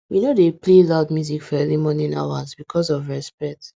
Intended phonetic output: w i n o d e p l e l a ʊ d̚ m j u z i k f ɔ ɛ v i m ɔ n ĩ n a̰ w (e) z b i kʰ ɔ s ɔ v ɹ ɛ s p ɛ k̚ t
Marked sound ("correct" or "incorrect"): incorrect